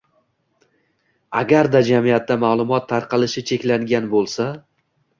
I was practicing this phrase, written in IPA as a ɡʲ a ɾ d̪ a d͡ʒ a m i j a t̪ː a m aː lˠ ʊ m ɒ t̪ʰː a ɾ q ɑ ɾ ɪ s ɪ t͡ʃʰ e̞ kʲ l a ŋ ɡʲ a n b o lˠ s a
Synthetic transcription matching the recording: a ɡʲ a ɾ d̪ a d͡ʒ a m i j a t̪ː a m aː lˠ ʊ m ɒ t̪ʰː a ɾ q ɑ l ɪ ʃ ɪ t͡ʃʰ e̞ kʲ l a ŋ ɡʲ a n b o lˠ s a